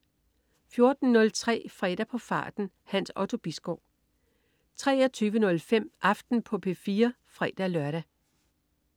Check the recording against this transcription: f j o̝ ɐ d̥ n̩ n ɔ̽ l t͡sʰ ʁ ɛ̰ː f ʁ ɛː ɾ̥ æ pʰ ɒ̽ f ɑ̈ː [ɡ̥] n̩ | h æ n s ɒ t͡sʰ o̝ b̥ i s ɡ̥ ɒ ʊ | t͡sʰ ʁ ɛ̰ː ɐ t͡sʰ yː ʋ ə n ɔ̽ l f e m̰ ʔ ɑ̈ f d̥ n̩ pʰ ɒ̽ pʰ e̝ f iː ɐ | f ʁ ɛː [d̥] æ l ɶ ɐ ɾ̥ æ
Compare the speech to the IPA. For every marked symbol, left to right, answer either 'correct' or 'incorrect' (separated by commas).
incorrect, correct